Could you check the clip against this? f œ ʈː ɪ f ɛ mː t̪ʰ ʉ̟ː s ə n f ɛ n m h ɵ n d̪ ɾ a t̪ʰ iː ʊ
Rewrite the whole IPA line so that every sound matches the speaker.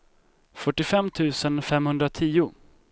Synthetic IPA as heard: f œ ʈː ɪ f ɛ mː t̪ʰ ʉ̟ː s ə n f ɛ m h ɵ n d̪ ɾ a t̪ʰ iː ʊ